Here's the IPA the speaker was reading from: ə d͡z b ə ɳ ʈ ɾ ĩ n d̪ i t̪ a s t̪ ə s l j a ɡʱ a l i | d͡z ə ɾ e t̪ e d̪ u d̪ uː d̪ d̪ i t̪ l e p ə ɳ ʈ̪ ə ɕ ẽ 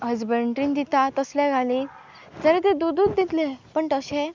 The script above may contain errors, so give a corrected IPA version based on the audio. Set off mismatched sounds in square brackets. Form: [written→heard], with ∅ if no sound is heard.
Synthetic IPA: ə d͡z b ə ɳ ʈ ɾ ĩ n d̪ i t̪ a [s→∅] t̪ ə s l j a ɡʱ a l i | d͡z ə ɾ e t̪ e d̪ u d̪ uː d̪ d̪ i t̪ l e p ə ɳ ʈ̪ ə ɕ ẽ